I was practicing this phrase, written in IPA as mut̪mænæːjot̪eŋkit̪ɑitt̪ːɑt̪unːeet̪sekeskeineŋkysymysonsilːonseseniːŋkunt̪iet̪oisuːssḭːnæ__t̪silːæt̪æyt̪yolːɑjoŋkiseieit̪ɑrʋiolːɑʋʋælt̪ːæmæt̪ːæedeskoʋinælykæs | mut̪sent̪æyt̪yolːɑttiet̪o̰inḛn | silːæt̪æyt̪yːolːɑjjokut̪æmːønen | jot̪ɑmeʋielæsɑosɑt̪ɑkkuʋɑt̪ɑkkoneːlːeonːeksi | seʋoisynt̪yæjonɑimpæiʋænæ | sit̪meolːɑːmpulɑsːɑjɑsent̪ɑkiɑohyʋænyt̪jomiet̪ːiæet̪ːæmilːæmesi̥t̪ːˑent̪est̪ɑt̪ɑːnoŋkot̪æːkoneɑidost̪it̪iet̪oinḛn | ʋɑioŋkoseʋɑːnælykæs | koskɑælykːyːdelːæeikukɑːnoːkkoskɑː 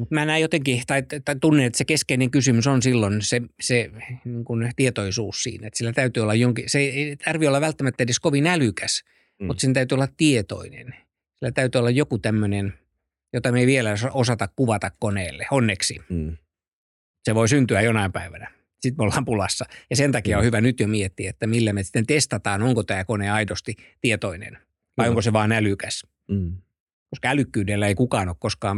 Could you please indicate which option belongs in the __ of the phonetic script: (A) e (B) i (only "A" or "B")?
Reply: A